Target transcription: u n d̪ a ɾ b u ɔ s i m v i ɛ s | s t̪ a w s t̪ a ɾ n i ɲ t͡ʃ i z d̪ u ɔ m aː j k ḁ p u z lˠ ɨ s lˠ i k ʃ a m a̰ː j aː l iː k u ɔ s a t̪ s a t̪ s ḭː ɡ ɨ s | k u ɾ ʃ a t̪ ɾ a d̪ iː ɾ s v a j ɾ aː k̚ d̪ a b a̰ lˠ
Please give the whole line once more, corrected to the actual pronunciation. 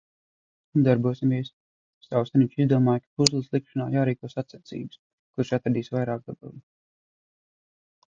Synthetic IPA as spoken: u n d̪ a ɾ b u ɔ s i m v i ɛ s | s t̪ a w s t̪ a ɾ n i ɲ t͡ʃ i z d̪ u ɔ m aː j k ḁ p u z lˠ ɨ s lˠ i k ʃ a n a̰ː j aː ɾ iː k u ɔ s a t̪ s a t̪ s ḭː b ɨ s | k u ɾ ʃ a t̪ ɾ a d̪ iː s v a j ɾ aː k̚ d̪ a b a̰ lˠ